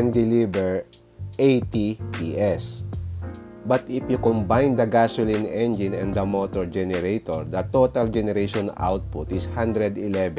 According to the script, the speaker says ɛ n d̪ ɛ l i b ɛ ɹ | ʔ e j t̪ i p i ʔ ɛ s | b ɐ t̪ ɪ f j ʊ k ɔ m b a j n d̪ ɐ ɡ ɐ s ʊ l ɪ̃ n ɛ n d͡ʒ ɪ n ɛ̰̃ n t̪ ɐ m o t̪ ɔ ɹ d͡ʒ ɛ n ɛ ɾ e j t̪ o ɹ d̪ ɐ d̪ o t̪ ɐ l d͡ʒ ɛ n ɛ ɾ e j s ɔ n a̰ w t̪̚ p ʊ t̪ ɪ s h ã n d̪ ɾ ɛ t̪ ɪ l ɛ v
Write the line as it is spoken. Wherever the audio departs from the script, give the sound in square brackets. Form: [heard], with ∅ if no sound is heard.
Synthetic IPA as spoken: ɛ n d̪ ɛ l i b ɛ ɹ | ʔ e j t̪ i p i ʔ ɛ s | b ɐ t̪ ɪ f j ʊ k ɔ m b a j n d̪ ɐ ɡ [a] s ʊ l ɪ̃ n ɛ n d͡ʒ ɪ n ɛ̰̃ n [d̪] ɐ m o t̪ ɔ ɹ d͡ʒ ɛ n ɛ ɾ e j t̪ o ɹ d̪ ɐ [t̪] o t̪ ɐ l d͡ʒ ɛ n ɛ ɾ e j [ʃ] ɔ n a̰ w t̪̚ p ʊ t̪ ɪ s h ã n d̪ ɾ ɛ [d̪] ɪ l ɛ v